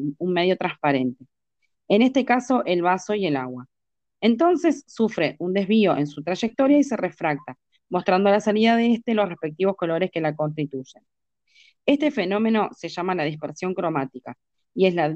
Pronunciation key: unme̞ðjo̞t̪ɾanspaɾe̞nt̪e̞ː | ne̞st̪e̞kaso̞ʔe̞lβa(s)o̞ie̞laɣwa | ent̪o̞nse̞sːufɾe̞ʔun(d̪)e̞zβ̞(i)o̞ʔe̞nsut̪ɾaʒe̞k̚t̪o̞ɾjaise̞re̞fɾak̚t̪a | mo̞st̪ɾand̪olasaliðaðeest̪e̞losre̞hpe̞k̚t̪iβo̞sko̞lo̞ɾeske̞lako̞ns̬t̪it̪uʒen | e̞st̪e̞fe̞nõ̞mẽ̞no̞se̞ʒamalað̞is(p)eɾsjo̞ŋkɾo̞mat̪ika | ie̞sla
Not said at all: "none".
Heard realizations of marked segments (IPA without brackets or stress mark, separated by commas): s, d̪, i, p